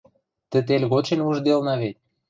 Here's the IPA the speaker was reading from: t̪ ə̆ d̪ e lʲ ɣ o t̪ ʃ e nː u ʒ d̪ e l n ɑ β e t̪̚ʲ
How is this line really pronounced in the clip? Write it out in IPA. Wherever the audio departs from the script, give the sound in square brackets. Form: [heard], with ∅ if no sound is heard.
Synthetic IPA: t̪ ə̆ [t̪] e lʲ ɣ o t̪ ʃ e [n] u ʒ d̪ e l n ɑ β e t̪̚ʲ